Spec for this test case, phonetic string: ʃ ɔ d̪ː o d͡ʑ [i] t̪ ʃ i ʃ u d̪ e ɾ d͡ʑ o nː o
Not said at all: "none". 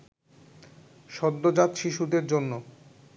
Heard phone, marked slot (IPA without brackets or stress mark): a